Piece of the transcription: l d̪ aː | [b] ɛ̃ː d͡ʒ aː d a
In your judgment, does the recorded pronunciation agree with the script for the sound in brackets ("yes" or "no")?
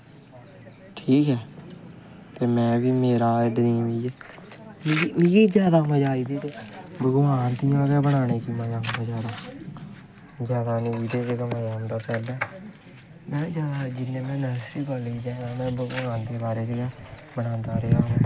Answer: no